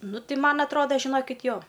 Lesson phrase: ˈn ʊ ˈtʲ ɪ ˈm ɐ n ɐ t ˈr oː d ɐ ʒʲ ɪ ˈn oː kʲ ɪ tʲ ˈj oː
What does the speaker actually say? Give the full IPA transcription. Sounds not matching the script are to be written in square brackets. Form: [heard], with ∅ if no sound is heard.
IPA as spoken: ˈn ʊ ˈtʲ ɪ ˈm ɐ n ɐ t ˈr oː d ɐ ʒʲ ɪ ˈn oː kʲ ɪ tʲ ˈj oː